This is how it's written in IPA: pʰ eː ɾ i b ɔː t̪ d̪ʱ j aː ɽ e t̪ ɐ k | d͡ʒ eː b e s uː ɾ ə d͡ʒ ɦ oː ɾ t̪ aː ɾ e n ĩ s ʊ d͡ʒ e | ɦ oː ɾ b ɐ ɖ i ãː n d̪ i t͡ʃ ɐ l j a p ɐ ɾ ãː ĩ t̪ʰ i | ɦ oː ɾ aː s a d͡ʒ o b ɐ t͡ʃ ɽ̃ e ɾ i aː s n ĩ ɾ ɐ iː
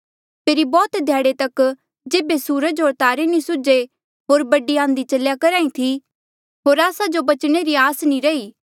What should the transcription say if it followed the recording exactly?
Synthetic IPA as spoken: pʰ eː ɾ i b ɔː t̪ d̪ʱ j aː ɽ e t̪ ɐ k | d͡ʒ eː b e s uː ɾ ə d͡ʒ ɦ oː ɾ t̪ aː ɾ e n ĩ s ʊ d͡ʒ e | ɦ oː ɾ b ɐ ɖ i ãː n d̪ i t͡ʃ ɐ l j a k ɐ ɾ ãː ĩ t̪ʰ i | ɦ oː ɾ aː s a d͡ʒ o b ɐ t͡ʃ ɽ̃ e ɾ i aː s n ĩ ɾ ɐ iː